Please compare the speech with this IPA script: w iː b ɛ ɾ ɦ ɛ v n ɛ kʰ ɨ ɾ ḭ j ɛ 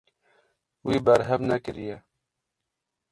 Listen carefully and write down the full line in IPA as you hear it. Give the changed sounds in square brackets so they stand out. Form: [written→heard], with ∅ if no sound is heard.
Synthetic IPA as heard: w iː b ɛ ɾ ɦ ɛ v n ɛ [kʰ→k] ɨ ɾ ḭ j ɛ

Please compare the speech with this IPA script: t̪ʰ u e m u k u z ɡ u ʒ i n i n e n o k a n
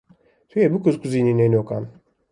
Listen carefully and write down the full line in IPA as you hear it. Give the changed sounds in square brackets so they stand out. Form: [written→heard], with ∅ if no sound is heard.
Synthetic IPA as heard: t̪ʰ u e [m→b] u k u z [ɡ→k] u [ʒ→z] i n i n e n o k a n

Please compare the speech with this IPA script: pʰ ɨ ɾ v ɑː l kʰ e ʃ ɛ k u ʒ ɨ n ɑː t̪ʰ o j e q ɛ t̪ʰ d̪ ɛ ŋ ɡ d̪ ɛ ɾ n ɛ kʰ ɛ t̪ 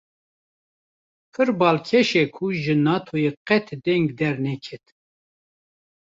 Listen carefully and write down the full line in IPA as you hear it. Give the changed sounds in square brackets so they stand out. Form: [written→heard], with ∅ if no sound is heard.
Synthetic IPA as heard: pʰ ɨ ɾ [v→b] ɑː l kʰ [e→ɛ] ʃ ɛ [k→kʰ] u ʒ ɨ n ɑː t̪ʰ o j e q ɛ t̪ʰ d̪ ɛ ŋ ɡ d̪ ɛ ɾ n ɛ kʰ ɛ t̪

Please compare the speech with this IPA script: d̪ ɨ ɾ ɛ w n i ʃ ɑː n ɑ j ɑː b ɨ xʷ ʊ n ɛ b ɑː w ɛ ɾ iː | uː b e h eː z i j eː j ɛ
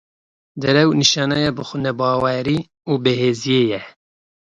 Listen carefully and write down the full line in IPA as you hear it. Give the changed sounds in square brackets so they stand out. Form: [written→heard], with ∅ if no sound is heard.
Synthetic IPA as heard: d̪ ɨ ɾ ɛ w n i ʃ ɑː n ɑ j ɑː b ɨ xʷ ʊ n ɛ b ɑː w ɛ ɾ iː | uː b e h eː z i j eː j ɛ

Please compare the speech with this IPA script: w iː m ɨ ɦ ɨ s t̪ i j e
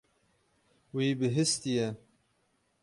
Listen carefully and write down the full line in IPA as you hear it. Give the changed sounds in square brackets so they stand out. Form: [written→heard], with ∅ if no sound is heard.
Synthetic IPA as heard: w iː [m→b] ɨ ɦ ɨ s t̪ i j [e→ɛ]

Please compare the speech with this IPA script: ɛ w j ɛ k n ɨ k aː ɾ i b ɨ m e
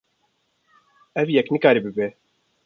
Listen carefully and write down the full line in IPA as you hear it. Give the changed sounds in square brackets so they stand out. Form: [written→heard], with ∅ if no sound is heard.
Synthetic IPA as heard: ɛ [w→v] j ɛ k n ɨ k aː ɾ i b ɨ [m→b] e

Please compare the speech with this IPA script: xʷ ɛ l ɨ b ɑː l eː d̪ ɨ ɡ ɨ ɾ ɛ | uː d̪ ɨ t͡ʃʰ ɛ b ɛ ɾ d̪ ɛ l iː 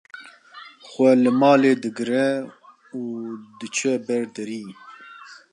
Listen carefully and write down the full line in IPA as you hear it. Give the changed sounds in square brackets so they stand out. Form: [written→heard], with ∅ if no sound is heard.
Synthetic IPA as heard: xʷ ɛ l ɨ [b→m] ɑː l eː d̪ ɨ ɡ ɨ ɾ ɛ | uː d̪ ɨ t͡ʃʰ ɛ b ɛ ɾ d̪ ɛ [l→ɾ] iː

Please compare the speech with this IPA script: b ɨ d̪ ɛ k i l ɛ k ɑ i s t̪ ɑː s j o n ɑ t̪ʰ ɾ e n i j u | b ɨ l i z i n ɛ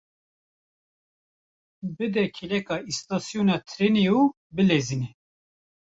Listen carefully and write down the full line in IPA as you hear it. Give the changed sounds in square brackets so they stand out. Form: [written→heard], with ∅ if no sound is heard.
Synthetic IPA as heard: b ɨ d̪ ɛ [k→kʰ] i l ɛ k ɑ i s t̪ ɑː s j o n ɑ t̪ʰ ɾ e n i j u | b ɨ l [i→e] z i n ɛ

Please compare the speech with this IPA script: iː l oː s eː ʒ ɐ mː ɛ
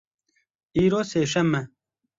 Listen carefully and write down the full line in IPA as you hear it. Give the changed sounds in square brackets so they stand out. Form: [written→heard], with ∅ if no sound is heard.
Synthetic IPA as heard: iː [l→ɾ] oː s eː [ʒ→ʃ] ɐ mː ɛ

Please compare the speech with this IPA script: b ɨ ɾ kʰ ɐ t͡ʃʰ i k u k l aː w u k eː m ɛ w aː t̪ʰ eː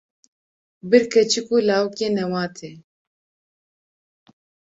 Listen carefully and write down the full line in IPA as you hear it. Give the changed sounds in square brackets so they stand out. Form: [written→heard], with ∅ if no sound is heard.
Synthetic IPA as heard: b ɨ ɾ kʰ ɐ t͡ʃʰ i k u [k→∅] l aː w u k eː [m→n] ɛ w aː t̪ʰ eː

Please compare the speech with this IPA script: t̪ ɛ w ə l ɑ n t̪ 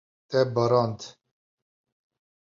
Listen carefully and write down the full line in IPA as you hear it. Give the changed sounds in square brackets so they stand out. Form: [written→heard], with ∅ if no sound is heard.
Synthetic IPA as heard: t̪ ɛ [w→b] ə [l→ɾ] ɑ n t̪

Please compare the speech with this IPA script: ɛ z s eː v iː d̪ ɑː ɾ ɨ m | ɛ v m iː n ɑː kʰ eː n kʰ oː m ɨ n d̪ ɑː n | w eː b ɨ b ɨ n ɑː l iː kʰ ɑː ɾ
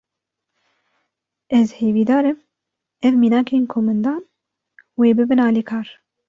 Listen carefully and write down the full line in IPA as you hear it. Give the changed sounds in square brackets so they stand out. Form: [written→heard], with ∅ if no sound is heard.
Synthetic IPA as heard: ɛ z [s→h] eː v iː d̪ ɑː ɾ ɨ m | ɛ v m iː n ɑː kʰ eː n kʰ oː m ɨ n d̪ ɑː n | w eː b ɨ b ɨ n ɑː l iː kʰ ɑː ɾ

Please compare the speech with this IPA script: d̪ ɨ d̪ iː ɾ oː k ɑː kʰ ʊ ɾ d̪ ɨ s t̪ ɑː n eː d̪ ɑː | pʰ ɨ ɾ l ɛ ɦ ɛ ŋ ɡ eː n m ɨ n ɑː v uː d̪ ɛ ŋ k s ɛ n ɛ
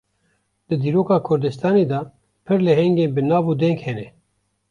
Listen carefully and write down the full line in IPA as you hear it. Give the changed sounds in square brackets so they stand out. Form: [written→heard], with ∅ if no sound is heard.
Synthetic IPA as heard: d̪ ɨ d̪ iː ɾ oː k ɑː kʰ ʊ ɾ d̪ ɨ s t̪ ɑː n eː d̪ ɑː | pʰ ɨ ɾ l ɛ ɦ ɛ ŋ ɡ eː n [m→b] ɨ n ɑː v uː d̪ ɛ ŋ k [s→h] ɛ n ɛ

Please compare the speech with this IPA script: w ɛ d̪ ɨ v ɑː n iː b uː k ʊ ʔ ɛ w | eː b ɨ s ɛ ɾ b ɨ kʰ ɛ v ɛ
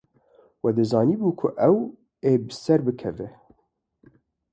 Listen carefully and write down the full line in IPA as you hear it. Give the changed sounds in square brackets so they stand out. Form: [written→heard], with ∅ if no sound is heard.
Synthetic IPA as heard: w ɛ d̪ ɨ [v→z] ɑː n iː b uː [k→kʰ] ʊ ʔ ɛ w | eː b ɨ s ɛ ɾ b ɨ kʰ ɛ v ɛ

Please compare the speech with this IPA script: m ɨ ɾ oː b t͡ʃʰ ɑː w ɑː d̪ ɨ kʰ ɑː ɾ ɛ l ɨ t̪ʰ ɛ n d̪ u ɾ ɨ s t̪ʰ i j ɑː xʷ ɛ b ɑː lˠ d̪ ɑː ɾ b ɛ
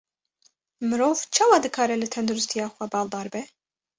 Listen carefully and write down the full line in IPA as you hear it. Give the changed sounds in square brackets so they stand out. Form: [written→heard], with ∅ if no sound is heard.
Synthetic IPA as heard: m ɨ ɾ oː [b→v] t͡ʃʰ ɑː w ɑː d̪ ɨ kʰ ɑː ɾ ɛ l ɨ t̪ʰ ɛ n d̪ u ɾ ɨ s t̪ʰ i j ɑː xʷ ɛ b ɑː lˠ d̪ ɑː ɾ b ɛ

